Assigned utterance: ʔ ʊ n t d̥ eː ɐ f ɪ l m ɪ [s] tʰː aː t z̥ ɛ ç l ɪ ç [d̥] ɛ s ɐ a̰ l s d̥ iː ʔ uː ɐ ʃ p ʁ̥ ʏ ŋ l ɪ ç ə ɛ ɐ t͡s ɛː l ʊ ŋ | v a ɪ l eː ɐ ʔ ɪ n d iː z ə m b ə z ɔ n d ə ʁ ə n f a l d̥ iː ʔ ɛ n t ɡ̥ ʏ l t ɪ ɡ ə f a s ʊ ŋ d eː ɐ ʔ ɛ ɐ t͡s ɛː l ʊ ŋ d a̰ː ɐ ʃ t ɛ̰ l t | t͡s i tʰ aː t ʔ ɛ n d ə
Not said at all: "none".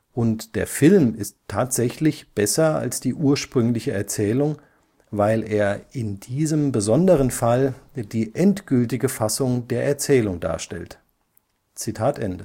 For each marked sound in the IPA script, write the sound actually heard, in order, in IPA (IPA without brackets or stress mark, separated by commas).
s, b̥